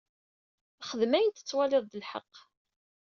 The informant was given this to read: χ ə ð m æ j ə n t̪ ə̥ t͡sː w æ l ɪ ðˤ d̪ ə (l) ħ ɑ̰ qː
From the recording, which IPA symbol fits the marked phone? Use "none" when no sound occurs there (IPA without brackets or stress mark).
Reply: l